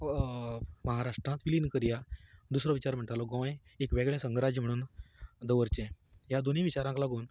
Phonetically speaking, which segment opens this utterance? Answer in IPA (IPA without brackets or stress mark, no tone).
m